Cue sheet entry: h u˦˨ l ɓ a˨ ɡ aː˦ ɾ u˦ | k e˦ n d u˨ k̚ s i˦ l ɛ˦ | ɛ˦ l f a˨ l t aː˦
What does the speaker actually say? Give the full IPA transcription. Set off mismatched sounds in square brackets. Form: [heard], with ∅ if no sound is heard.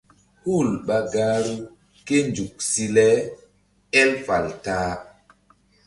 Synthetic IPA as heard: h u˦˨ l ɓ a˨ ɡ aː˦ ɾ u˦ | k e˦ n [d͡ʒ] u˨ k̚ s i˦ l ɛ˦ | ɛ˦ l f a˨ l t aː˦